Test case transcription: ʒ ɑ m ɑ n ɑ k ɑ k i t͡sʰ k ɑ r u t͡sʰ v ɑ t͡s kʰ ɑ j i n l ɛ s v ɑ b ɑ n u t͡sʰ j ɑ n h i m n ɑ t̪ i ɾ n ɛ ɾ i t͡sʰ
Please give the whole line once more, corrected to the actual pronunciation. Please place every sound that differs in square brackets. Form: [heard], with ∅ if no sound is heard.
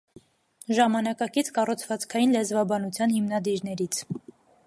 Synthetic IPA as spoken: ʒ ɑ m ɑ n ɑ k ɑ k i t͡sʰ k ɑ r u t͡sʰ v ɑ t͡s kʰ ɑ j i n l ɛ [z] v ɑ b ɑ n u t͡sʰ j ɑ n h i m n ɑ [d̪] i ɾ n ɛ ɾ i t͡sʰ

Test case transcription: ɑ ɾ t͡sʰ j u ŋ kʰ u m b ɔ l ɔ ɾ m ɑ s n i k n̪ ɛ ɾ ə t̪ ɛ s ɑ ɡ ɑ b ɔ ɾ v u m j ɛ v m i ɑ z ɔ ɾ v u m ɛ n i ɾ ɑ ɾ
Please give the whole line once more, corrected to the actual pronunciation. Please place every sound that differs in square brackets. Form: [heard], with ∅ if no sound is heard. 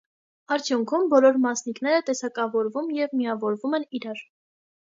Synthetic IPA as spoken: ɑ ɾ t͡sʰ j u ŋ kʰ u m b ɔ l ɔ ɾ m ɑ s n i k n̪ ɛ ɾ ə t̪ ɛ s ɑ [k] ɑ [v] ɔ ɾ v u m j ɛ v m i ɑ [v] ɔ ɾ v u m ɛ n i ɾ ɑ ɾ

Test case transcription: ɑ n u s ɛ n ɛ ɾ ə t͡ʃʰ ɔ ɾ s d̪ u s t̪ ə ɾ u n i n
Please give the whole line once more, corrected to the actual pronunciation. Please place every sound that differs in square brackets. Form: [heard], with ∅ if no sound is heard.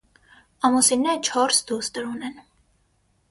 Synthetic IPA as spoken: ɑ [m] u s [i] n ɛ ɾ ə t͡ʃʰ ɔ ɾ s d̪ u s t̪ ə ɾ u n [ɛ] n

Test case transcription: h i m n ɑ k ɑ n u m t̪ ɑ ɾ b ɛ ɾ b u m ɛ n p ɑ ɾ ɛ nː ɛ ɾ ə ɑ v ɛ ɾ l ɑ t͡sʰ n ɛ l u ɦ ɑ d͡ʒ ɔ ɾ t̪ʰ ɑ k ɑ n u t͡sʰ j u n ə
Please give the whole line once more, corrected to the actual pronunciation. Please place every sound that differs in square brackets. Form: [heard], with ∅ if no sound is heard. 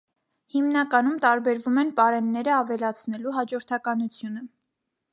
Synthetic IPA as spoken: h i m n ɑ k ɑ n u m t̪ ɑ ɾ b ɛ ɾ [v] u m ɛ n p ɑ ɾ ɛ nː ɛ ɾ ə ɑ v ɛ [∅] l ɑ t͡sʰ n ɛ l u ɦ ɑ d͡ʒ ɔ ɾ t̪ʰ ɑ k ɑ n u t͡sʰ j u n ə

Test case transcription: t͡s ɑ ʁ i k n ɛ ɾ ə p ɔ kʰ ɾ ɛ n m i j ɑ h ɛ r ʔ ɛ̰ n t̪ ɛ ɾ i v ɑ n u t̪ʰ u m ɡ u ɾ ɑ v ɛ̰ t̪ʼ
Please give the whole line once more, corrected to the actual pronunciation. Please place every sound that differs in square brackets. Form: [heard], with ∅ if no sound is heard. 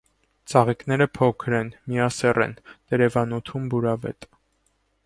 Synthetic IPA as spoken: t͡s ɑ ʁ i k n ɛ ɾ ə [pʰ] ɔ kʰ ɾ ɛ n m i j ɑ [s] ɛ r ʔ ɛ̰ n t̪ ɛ ɾ [ɛ] v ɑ n u t̪ʰ u m [b] u ɾ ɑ v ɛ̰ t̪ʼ

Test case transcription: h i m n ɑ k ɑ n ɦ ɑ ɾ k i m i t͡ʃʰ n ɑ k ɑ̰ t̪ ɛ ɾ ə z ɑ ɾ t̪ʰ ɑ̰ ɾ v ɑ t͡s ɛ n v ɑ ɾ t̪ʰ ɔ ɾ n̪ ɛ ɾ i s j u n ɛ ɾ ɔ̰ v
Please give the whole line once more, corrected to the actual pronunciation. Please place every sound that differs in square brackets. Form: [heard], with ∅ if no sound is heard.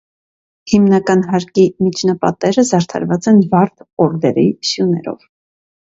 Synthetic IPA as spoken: h i m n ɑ k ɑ n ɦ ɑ ɾ k i m i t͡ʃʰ n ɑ [p] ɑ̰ t̪ ɛ ɾ ə z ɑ ɾ t̪ʰ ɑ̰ ɾ v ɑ t͡s ɛ n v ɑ ɾ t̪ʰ ɔ ɾ [d̪] ɛ ɾ i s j u n ɛ ɾ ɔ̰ v

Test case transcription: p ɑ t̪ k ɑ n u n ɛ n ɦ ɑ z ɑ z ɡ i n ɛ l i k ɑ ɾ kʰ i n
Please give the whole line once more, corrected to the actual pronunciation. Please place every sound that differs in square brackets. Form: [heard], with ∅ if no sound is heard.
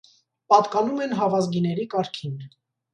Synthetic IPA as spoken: p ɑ t̪ k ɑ n u [m] ɛ n ɦ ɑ [v] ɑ z ɡ i n ɛ [ɾ] i k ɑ ɾ kʰ i n

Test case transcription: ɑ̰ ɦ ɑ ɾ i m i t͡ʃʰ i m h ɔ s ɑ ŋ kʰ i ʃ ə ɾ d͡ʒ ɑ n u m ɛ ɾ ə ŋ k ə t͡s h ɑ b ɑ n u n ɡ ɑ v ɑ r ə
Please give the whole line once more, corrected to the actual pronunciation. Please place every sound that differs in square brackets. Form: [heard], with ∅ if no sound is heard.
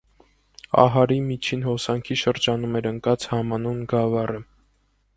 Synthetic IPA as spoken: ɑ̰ ɦ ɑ ɾ i m i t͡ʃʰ i [n] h ɔ s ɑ ŋ kʰ i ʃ ə ɾ d͡ʒ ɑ n u m ɛ ɾ ə ŋ k [ɑ] t͡s h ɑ [m] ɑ n u n ɡ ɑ v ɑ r ə

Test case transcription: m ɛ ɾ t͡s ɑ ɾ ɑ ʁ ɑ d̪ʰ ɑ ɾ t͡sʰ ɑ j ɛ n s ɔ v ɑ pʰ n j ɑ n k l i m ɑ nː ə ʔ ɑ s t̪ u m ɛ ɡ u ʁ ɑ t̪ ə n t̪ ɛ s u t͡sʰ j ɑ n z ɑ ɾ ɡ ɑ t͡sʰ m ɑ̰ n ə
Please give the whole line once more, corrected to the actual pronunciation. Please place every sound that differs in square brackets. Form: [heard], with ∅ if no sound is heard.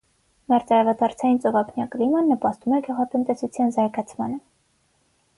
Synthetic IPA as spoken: m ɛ ɾ t͡s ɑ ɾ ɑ [v] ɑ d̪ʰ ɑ ɾ t͡sʰ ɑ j [i] n [t͡s] ɔ v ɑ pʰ n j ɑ [∅] k l i m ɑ nː ə [p] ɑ s t̪ u m ɛ ɡ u ʁ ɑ t̪ ə n t̪ ɛ s u t͡sʰ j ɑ n z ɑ ɾ ɡ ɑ t͡sʰ m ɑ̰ n ə

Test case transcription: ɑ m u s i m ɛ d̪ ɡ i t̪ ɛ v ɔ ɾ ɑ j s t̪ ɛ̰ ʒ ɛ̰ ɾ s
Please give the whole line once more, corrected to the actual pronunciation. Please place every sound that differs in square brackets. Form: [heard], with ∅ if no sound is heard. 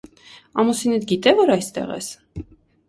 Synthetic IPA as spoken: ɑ m u s i [n] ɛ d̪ ɡ i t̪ ɛ v ɔ ɾ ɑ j s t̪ ɛ̰ [ʁ] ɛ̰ [∅] s

